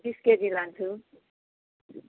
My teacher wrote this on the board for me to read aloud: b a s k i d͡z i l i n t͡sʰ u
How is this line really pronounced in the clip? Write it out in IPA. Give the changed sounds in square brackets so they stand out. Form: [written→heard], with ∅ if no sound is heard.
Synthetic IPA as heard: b [a→i] s k [i→e] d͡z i l [i→a] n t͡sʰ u